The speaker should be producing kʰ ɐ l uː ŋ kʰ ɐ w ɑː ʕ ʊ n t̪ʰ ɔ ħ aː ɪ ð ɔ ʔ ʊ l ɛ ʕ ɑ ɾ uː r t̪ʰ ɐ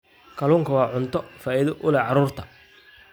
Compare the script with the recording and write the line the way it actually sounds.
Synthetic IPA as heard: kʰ ɐ l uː ŋ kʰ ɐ w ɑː ʕ ʊ n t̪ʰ ɔ f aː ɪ ð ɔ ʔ ʊ l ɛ ʕ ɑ ɾ uː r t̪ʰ ɐ